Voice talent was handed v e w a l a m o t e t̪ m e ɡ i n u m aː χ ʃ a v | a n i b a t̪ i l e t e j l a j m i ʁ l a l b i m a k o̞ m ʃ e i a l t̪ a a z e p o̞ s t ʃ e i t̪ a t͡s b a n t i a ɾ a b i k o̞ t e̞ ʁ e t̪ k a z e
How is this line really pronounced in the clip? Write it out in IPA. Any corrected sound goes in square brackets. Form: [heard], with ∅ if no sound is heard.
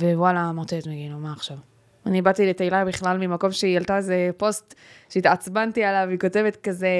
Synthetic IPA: v e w a l a m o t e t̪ m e ɡ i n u m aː χ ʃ a v | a n i b a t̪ i l e t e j l a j [b] i [χ] l a l [m] i m a k o̞ m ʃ e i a l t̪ a [e] z e p o̞ s t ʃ e i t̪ a t͡s b a n t i a [l] a [v] i k o̞ t e̞ [v] e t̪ k a z e